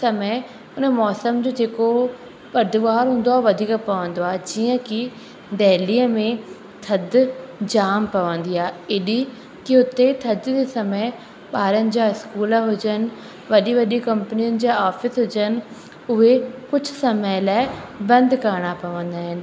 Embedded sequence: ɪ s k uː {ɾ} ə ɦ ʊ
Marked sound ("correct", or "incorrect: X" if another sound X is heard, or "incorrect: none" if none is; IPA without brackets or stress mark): incorrect: l